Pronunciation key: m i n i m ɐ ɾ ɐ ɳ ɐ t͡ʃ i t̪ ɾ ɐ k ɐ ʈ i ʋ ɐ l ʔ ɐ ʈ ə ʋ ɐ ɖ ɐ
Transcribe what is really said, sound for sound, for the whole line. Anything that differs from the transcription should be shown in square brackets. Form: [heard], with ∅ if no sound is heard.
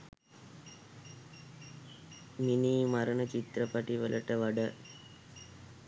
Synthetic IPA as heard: m i n i m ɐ ɾ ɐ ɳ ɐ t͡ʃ i t̪ ɾ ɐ [p] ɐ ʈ i ʋ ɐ l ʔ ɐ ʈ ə ʋ ɐ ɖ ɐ